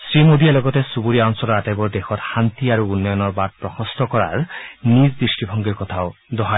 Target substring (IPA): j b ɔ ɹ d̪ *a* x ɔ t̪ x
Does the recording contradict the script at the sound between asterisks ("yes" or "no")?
yes